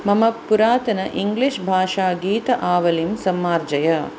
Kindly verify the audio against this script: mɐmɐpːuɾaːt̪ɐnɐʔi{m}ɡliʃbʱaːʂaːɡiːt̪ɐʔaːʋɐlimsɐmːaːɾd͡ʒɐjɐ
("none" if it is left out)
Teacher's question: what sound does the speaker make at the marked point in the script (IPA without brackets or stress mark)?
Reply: ŋ